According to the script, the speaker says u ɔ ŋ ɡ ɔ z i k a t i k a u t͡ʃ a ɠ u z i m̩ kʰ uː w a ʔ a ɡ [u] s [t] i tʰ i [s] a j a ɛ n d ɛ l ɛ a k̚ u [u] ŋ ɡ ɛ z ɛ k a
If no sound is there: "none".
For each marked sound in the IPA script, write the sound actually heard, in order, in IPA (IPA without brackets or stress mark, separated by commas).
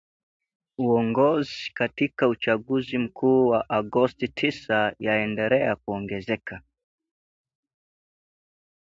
ɔ, t, s, ɔ